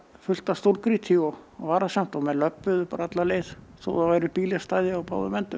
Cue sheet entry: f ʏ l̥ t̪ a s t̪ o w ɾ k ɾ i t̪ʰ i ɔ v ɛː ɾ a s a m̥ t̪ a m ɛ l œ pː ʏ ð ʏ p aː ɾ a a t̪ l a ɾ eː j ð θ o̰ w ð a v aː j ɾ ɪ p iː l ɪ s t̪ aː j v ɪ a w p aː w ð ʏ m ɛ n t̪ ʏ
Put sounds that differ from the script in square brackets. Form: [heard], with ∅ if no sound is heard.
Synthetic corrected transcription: f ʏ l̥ t̪ a s t̪ o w ɾ k ɾ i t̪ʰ i ɔ v [aː] ɾ a s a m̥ t̪ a m ɛ l œ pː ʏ ð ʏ p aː ɾ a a t̪ l a [l] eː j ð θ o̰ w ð a v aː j ɾ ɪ p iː l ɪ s t̪ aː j [ð] ɪ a w p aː w ð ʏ m ɛ n t̪ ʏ